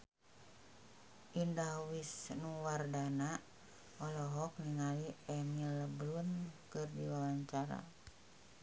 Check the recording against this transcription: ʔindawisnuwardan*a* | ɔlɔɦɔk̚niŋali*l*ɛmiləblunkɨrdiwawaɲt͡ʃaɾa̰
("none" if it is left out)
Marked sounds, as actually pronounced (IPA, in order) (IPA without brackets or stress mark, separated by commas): a, none